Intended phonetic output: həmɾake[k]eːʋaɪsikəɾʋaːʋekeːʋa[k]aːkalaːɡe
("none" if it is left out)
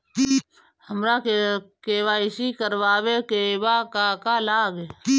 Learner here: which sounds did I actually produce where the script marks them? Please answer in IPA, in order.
k, k

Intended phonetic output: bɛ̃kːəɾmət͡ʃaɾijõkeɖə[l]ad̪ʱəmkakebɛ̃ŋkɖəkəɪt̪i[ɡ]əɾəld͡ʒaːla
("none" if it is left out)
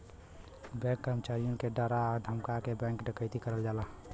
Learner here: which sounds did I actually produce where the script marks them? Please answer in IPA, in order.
ɾ, k

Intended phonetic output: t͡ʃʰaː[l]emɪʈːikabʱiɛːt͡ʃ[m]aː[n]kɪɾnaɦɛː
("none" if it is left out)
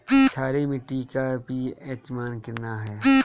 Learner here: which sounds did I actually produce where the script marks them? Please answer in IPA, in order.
ɾ, m, n

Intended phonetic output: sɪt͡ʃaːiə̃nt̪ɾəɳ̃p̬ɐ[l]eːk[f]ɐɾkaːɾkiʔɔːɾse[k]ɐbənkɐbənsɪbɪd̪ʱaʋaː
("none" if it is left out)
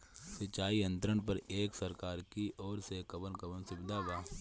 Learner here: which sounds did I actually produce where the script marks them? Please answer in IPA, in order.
ɾ, s, k

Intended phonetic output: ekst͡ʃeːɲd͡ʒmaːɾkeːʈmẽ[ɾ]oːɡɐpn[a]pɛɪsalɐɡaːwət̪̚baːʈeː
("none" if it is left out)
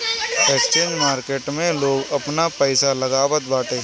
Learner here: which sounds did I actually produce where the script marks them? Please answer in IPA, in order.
l, a

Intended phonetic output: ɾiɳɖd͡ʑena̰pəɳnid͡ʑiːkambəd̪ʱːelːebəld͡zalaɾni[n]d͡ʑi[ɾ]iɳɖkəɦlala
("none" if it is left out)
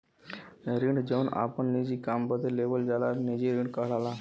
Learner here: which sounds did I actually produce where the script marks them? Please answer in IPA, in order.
none, ɾ

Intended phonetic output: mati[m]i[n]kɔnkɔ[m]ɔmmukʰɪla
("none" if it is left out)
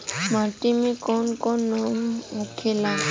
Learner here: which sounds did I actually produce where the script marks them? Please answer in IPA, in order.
m, none, n

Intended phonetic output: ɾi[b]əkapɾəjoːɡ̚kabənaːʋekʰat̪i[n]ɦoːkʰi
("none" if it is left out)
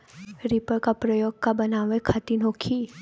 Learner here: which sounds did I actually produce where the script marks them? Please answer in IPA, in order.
p, n

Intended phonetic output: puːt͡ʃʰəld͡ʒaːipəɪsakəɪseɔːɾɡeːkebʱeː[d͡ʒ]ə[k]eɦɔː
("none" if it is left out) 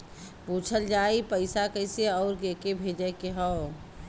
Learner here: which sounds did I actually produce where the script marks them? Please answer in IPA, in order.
d͡ʒ, k

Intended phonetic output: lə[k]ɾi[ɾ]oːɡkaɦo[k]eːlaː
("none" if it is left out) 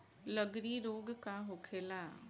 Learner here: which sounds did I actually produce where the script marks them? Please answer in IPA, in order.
ɡ, ɾ, kʰ

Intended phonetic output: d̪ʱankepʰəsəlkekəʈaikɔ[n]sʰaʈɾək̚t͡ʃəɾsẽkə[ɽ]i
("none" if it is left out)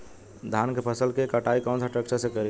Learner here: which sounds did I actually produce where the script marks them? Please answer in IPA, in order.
n, ɾ

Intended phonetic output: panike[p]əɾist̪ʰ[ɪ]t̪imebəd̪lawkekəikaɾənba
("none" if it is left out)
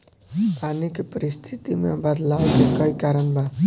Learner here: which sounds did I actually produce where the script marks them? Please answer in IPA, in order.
p, i

